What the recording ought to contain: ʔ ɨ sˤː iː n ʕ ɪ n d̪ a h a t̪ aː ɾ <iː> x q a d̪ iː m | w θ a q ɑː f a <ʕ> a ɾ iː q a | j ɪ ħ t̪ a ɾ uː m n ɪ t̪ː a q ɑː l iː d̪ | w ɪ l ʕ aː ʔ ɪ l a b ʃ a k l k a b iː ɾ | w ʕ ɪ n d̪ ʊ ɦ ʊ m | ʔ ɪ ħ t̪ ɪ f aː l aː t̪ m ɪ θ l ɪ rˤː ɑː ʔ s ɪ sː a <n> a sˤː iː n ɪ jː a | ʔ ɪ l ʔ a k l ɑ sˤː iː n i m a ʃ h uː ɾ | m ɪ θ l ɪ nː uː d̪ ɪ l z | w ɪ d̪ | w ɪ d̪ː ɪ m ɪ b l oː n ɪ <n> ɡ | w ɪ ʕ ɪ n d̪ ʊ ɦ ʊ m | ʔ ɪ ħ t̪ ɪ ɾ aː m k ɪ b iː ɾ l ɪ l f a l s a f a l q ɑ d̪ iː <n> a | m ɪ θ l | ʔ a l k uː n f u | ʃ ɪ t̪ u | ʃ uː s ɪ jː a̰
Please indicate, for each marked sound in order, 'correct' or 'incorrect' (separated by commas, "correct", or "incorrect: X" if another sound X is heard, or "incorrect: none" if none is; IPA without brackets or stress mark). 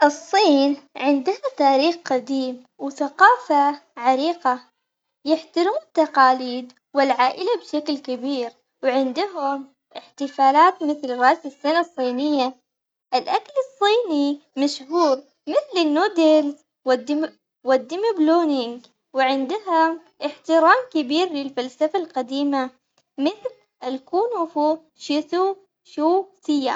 correct, correct, correct, incorrect: ŋ, incorrect: m